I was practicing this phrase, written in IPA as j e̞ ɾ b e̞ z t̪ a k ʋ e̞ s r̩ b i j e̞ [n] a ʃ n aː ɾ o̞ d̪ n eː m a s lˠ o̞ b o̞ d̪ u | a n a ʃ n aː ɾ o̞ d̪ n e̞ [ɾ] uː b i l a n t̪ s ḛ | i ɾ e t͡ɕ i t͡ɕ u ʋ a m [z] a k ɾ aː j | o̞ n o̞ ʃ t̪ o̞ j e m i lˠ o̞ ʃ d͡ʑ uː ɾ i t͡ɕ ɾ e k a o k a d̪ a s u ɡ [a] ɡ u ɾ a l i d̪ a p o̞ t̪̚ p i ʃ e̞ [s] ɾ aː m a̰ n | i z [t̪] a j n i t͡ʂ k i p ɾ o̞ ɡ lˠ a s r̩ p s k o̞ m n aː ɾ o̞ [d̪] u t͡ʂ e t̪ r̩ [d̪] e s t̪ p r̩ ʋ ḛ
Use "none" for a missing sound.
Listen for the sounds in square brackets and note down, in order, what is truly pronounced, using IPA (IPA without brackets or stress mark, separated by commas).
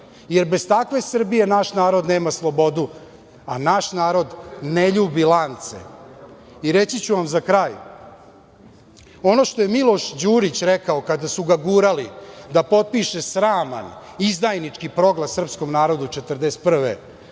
n, ʎ, z, a, s, d̪, d̪, d̪